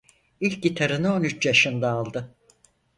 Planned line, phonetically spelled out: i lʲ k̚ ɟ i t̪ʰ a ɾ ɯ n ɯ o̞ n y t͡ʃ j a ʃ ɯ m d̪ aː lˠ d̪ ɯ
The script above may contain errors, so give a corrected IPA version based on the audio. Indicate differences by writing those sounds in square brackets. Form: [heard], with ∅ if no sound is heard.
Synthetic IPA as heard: i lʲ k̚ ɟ i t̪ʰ a ɾ ɯ n ɯ o̞ n y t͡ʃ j a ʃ ɯ [n] d̪ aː lˠ d̪ ɯ